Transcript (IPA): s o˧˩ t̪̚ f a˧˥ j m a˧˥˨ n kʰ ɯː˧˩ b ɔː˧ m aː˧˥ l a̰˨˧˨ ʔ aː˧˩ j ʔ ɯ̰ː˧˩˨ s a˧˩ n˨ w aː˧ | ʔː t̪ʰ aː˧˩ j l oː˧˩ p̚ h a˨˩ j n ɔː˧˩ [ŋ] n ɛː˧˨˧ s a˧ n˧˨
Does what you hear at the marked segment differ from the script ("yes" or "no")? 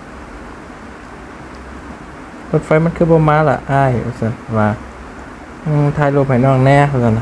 no